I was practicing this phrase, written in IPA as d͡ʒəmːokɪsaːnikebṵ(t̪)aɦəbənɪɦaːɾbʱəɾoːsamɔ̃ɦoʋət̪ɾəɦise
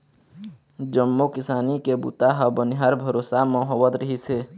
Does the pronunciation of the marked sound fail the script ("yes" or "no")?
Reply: no